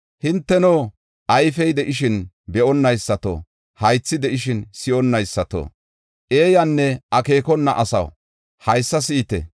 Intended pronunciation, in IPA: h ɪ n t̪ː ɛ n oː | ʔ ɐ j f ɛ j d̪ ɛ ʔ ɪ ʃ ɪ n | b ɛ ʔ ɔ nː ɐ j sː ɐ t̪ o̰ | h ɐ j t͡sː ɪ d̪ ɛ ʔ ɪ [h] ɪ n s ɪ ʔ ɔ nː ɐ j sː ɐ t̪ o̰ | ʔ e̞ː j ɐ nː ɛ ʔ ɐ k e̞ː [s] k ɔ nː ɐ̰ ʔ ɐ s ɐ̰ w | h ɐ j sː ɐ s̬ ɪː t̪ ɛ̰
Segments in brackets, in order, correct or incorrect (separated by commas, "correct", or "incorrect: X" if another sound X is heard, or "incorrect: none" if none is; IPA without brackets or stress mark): incorrect: ʃ, incorrect: none